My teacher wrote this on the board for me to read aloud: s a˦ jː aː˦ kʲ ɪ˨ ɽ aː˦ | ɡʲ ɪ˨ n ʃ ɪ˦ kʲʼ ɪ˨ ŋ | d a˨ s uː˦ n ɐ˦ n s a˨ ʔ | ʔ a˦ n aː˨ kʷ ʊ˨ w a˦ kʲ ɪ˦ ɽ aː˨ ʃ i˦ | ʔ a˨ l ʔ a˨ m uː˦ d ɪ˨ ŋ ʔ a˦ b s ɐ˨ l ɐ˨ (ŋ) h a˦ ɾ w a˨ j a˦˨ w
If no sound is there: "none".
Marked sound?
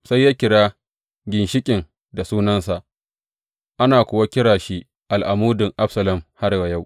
m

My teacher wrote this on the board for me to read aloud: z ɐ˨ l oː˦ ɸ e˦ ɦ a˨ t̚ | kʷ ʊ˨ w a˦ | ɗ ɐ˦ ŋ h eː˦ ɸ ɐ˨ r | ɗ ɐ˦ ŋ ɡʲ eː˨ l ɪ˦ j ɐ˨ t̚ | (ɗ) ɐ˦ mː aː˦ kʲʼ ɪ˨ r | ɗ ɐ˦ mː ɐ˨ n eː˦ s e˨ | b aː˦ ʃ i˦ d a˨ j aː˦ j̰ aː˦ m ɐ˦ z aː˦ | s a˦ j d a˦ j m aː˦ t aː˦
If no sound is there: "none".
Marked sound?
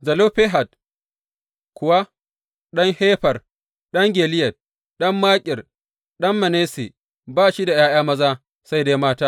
ɗ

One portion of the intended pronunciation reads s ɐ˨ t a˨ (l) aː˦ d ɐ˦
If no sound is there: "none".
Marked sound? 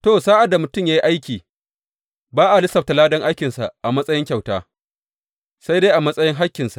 l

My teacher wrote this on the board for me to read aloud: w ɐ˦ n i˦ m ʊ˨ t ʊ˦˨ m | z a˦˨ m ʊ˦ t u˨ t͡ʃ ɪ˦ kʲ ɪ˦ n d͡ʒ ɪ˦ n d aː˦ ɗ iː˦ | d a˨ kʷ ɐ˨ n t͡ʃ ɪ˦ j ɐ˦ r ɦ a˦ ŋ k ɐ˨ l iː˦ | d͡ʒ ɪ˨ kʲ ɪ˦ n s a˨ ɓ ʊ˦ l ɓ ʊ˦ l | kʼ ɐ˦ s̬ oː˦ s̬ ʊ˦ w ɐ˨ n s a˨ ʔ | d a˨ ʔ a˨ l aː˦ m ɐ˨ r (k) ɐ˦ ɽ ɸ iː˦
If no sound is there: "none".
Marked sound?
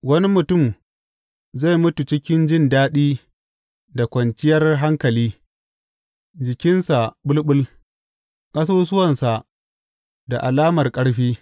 kʼ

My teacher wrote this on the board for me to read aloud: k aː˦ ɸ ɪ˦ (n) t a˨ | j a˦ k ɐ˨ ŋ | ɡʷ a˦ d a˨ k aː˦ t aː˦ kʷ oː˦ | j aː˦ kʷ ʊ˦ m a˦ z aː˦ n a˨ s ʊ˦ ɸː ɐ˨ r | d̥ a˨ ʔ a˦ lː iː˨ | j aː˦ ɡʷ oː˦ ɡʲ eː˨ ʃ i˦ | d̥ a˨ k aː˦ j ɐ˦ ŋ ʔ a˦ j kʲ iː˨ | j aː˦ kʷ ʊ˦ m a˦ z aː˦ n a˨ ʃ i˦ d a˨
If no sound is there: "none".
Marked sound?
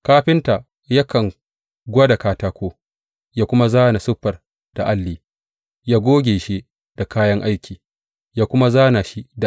n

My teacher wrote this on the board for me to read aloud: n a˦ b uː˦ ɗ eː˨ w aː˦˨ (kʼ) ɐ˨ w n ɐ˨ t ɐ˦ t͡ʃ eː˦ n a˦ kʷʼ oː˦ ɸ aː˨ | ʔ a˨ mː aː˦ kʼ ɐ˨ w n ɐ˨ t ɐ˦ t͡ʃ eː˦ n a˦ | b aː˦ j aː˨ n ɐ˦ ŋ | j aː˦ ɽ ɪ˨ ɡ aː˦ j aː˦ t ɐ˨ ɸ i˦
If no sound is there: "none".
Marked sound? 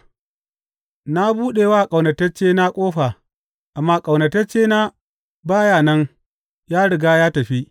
kʼ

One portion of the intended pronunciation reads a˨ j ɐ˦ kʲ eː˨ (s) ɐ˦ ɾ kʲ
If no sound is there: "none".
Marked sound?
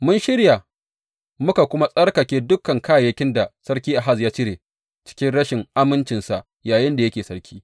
s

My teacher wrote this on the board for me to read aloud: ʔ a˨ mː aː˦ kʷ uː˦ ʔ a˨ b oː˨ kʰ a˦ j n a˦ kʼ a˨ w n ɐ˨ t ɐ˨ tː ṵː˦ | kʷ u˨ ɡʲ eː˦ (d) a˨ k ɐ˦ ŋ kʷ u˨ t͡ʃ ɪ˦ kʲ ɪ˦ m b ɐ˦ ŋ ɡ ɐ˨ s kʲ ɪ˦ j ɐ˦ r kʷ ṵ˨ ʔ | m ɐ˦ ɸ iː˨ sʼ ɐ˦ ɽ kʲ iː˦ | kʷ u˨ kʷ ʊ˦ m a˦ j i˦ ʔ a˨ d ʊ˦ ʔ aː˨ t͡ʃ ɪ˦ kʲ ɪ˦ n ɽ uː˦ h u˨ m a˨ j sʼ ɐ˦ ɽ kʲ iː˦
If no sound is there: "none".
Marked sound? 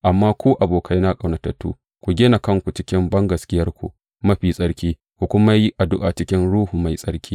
n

